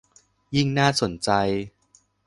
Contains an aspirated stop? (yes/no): no